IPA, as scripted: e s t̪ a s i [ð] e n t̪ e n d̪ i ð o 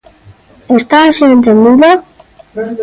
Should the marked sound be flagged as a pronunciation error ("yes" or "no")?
yes